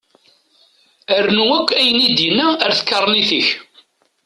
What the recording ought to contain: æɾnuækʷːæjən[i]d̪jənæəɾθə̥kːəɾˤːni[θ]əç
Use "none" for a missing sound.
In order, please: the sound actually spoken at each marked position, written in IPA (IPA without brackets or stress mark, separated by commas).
i, θ